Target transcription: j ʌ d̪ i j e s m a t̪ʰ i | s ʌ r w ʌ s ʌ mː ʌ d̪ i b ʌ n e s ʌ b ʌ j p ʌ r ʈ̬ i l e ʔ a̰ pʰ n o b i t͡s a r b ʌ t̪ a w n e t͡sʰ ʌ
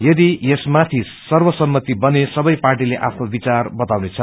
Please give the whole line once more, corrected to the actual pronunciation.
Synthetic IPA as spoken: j ʌ d̪ i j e s m a t̪ʰ i | s ʌ r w ʌ s ʌ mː ʌ t̪ i b ʌ n e s ʌ b ʌ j p a r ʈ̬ i l e ʔ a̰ pʰ n o b i t͡s a r b ʌ t̪ a w n e t͡sʰ ʌ